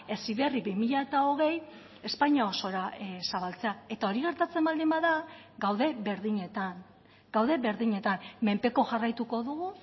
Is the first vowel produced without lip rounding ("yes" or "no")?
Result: yes